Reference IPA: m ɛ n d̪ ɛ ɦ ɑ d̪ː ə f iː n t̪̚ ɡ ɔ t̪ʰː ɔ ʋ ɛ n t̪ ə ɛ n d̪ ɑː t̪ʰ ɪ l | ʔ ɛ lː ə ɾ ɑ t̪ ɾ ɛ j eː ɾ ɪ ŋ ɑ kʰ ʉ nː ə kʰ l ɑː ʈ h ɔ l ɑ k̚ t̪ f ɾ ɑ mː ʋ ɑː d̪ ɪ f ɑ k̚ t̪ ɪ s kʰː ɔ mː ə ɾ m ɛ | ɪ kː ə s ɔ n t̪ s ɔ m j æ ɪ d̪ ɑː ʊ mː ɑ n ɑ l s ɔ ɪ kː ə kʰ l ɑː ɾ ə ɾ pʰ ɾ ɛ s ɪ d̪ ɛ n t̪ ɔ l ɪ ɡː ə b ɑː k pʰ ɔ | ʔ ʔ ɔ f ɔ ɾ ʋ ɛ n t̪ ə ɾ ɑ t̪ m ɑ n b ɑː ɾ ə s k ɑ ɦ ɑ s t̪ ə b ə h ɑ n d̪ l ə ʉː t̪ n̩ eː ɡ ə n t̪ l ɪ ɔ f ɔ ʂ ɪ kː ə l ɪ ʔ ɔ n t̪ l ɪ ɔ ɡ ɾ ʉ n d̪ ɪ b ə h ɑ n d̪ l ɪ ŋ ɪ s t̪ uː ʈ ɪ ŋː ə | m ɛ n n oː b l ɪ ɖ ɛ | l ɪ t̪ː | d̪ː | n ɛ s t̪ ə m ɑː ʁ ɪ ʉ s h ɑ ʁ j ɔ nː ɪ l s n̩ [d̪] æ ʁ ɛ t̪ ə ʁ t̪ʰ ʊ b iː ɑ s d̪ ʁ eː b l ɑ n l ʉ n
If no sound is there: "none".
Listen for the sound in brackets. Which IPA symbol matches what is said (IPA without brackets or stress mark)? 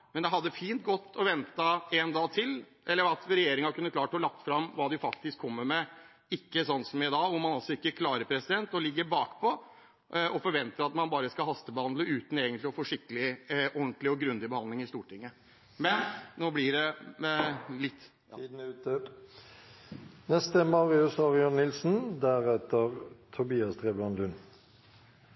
d̪